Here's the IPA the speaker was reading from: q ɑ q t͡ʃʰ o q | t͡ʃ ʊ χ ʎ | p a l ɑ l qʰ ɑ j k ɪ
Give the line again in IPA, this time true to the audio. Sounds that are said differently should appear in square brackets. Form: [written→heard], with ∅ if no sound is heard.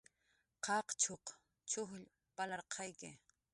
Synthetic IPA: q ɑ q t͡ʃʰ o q | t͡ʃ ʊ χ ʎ | p a l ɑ [l→ɾ] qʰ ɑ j k ɪ